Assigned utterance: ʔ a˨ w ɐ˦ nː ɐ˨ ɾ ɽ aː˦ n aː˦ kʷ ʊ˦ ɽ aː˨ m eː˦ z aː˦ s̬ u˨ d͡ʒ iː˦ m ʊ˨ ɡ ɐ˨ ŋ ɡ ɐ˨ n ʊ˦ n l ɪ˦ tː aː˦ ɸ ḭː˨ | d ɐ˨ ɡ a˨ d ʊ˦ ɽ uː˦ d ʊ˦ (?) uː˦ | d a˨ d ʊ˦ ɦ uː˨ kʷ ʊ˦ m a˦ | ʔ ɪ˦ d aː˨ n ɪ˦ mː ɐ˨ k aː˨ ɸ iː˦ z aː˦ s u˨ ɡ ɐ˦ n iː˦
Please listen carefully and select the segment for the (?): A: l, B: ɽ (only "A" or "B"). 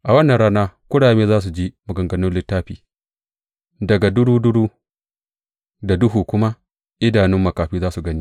B